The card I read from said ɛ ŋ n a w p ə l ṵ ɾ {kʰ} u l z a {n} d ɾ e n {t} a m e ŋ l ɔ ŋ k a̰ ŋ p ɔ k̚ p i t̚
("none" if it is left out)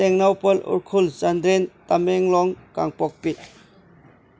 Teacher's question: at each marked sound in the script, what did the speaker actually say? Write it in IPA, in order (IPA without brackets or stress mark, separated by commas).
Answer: kʰ, n, t